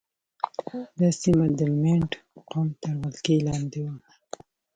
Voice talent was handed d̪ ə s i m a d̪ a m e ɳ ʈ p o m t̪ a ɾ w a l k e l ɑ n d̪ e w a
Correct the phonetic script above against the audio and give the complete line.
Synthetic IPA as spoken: d̪ ɑ s i m a d̪ ə m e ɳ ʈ q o m t̪ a ɾ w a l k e l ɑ n d̪ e w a